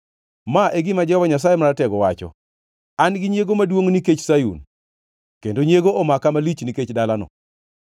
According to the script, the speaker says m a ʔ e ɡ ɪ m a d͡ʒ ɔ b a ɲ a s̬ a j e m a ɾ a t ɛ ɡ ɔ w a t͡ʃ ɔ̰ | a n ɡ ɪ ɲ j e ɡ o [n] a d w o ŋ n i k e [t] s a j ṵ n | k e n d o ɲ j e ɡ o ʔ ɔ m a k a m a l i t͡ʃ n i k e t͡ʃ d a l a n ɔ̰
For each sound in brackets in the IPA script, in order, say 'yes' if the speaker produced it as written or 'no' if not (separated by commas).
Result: no, no